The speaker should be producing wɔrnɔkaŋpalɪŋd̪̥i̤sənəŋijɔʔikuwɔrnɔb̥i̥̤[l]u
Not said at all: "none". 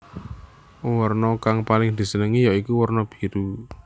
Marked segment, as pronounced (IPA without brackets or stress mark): ɾ